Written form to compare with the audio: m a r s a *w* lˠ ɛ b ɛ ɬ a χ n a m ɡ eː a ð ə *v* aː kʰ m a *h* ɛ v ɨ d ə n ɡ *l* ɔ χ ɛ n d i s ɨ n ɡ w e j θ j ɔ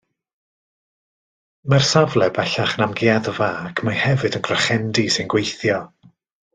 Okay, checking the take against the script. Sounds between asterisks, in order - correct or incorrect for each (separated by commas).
incorrect, correct, correct, incorrect